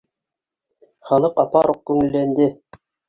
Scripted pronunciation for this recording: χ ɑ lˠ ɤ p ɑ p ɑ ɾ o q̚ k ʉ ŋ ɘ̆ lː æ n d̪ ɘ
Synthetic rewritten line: χ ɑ lˠ ɤ q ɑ p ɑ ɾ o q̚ k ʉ ŋ ɘ̆ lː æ n d̪ ɘ

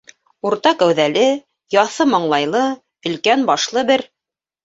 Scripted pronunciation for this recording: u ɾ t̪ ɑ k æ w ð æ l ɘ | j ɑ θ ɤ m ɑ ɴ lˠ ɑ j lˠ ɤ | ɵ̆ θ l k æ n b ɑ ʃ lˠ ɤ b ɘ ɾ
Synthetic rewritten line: u ɾ t̪ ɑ k æ w ð æ l ɘ | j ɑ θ ɤ m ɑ ɴ lˠ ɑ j lˠ ɤ | ɵ̆ l k æ n b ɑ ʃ lˠ ɤ b ɘ ɾ

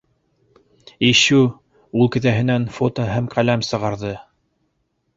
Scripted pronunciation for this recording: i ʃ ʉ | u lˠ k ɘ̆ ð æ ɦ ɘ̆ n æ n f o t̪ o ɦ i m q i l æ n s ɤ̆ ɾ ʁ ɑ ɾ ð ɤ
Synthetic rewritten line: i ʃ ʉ | u lˠ k ɘ̆ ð æ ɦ ɘ̆ n æ n f o t̪ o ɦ æ m q æ l æ m s ɤ̆ ʁ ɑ ɾ ð ɤ

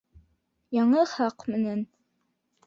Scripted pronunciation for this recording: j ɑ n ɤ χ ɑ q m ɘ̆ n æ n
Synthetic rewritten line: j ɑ ɴ ɤ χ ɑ q m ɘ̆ n æ n

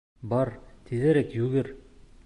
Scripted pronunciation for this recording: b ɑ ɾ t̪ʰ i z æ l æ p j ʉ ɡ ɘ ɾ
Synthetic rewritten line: b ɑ ɾ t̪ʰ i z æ ɾ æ k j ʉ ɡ ɘ ɾ

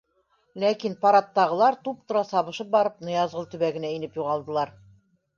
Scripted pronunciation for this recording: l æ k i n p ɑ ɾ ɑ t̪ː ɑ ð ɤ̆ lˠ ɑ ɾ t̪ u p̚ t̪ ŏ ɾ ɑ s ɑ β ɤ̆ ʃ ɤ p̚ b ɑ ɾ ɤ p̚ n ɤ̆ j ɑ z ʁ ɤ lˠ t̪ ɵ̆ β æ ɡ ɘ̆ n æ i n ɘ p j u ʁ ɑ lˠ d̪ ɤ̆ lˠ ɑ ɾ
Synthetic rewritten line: l æ k i n p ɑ ɾ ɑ t̪ː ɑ ʁ ɤ̆ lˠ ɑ ɾ t̪ u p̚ t̪ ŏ ɾ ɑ s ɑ β ɤ̆ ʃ ɤ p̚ b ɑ ɾ ɤ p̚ n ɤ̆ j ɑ z ʁ ɤ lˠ t̪ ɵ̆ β æ ɡ ɘ̆ n æ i n ɘ p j u ʁ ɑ lˠ d̪ ɤ̆ lˠ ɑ ɾ

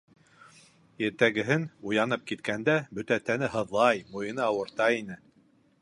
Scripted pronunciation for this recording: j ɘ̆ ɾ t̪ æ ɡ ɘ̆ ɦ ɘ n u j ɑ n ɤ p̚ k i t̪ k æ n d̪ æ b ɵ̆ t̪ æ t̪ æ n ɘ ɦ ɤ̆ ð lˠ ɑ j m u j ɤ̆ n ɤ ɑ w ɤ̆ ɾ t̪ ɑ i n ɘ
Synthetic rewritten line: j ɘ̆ ɾ t̪ æ ɡ ɘ̆ ɦ ɘ n u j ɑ n ɤ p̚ k i t̪ k æ n d̪ æ b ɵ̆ t̪ æ t̪ æ n ɘ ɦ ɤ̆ ð lˠ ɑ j m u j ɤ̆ n ɤ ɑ w ɤ̆ ɾ t̪ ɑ i n ɘ

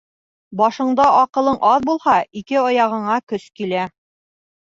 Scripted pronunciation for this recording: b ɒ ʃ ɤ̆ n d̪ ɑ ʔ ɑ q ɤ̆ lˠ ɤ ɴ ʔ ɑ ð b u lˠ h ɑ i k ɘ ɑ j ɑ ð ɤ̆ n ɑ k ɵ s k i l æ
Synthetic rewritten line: b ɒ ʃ ɤ̆ ɴ d̪ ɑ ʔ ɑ q ɤ̆ lˠ ɤ ɴ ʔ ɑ ð b u lˠ h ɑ i k ɘ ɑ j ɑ ʁ ɤ̆ ɴ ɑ k ɵ s k i l æ

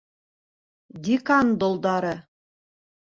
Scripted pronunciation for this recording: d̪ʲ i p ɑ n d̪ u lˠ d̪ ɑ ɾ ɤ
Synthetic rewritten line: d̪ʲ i k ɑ n d̪ o lˠ d̪ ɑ ɾ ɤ

